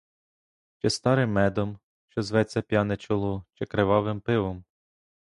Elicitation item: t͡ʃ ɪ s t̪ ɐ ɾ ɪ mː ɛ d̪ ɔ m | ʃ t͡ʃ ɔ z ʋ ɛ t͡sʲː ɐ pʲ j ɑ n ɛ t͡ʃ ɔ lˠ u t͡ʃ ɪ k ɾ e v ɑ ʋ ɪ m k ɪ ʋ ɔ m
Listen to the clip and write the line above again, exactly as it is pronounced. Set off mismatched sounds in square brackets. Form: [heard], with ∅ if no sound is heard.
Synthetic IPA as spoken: t͡ʃ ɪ s t̪ [ɑ] ɾ ɪ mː ɛ d̪ ɔ m | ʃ t͡ʃ ɔ z ʋ ɛ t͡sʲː ɐ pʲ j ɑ n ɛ t͡ʃ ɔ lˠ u t͡ʃ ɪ k ɾ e [ʋ] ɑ ʋ ɪ m [p] ɪ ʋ ɔ m